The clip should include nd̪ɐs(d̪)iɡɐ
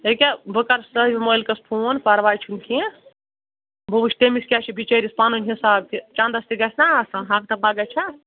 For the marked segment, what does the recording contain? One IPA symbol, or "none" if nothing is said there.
t̪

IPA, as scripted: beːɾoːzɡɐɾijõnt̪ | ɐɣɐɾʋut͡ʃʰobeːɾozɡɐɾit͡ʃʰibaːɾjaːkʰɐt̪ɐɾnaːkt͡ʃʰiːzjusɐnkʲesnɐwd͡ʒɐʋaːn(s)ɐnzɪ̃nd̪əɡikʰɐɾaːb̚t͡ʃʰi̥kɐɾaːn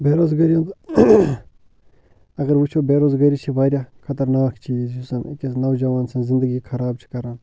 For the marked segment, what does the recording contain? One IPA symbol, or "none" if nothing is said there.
s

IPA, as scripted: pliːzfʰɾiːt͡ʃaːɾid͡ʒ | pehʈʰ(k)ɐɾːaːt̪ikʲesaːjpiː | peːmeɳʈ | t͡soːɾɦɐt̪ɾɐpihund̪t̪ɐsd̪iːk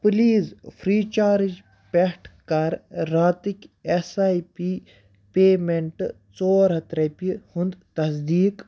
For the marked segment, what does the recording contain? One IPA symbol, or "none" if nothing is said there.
k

